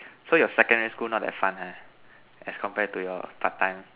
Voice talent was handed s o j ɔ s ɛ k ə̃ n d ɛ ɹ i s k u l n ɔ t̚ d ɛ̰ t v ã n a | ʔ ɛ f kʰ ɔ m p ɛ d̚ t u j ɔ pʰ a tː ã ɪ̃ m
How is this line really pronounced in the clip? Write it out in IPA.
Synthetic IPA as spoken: s o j ɔ s ɛ k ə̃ n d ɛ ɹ i s k u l n ɔ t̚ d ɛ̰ t f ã n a | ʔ ɛ s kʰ ɔ̃ m p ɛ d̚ t u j ɔ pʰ a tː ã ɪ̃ m